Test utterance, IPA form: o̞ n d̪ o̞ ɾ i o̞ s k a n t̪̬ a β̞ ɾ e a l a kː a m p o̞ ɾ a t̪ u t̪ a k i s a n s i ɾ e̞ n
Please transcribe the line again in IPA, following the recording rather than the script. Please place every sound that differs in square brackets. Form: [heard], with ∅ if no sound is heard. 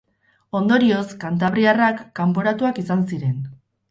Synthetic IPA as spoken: o̞ n d̪ o̞ ɾ i o̞ s k a n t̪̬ a β̞ ɾ [i] a [r] a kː a m p o̞ ɾ a t̪ u [∅] a k i s a n s i ɾ e̞ n